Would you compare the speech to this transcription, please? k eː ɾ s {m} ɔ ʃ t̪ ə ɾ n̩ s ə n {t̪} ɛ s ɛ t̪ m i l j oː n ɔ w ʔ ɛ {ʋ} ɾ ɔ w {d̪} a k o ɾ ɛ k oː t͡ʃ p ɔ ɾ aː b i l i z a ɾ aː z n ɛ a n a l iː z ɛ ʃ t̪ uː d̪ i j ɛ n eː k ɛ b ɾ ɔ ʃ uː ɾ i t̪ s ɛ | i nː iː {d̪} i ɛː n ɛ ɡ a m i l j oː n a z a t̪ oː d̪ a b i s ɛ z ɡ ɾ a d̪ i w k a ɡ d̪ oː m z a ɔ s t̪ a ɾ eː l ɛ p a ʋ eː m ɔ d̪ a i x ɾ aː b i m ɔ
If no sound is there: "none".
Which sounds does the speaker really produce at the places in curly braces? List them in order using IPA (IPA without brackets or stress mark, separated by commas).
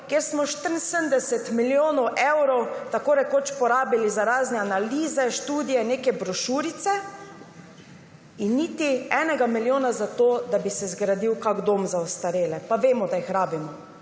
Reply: m, d̪, w, t̪, t̪